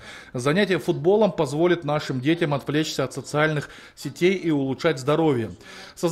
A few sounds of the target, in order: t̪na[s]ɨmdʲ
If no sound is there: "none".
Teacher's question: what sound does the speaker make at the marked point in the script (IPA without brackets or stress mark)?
ʂ